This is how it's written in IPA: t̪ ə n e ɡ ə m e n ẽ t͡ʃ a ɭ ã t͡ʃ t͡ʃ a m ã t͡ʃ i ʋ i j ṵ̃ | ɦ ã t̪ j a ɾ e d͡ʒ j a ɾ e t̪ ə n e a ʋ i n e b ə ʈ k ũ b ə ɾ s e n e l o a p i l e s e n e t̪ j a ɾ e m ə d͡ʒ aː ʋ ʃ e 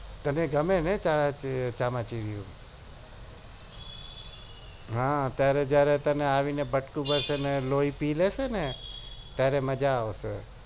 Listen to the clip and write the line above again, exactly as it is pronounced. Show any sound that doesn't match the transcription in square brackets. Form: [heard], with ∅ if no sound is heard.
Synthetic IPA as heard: t̪ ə n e ɡ ə m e n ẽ t͡ʃ a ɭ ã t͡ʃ t͡ʃ a m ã t͡ʃ i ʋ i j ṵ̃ | ɦ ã t̪ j a ɾ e d͡ʒ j a ɾ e t̪ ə n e a ʋ i n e b ə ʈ k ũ b ə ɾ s e n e l o [i] p i l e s e n e t̪ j a ɾ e m ə d͡ʒ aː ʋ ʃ e